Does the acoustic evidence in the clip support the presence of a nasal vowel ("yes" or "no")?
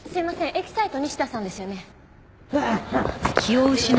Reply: yes